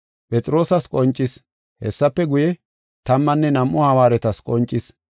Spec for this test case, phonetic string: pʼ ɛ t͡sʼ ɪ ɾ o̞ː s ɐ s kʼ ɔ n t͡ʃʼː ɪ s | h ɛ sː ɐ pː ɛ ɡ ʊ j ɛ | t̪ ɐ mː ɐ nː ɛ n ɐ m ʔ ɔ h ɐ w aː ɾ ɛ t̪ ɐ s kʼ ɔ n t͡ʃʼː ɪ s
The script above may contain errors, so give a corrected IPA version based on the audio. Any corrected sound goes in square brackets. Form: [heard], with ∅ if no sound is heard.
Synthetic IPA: pʼ ɛ t͡sʼ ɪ ɾ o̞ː s ɐ s kʼ ɔ n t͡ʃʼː ɪ s | h ɛ sː ɐ pː ɛ ɡ ʊ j ɛ | t̪ ɐ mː ɐ nː ɛ n ɐ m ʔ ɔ h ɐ w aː ɾ ɛ t̪ ɐ s kʼ ɔ n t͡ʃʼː ɪ s

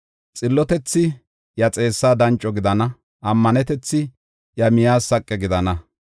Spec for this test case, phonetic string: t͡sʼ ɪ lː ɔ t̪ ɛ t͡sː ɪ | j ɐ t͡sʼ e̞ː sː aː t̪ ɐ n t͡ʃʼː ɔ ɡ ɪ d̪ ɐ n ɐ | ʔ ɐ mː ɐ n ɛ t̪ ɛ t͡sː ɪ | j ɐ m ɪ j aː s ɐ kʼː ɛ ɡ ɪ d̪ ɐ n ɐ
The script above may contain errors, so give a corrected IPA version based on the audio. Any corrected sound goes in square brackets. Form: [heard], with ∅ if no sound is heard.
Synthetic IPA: t͡sʼ ɪ lː ɔ t̪ ɛ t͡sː ɪ | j ɐ t͡sʼ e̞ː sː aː [d̪] ɐ n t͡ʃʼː ɔ ɡ ɪ d̪ ɐ n ɐ | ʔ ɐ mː ɐ n ɛ t̪ ɛ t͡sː ɪ | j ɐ m ɪ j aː s ɐ kʼː ɛ ɡ ɪ d̪ ɐ n ɐ

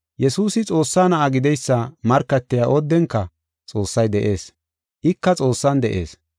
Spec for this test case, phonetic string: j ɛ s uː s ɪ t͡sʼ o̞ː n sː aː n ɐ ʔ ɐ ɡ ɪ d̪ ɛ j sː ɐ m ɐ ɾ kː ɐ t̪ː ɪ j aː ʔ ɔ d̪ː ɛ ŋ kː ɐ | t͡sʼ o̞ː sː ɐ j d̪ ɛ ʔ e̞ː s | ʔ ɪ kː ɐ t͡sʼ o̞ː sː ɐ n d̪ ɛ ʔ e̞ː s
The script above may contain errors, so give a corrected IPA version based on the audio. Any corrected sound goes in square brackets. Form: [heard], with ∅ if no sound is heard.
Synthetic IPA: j ɛ s uː s ɪ t͡sʼ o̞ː [∅] sː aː n ɐ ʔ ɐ ɡ ɪ d̪ ɛ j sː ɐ m ɐ ɾ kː ɐ t̪ː ɪ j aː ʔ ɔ d̪ː ɛ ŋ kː ɐ | t͡sʼ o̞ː sː ɐ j d̪ ɛ ʔ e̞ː s | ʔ ɪ kː ɐ t͡sʼ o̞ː sː ɐ n d̪ ɛ ʔ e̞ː s

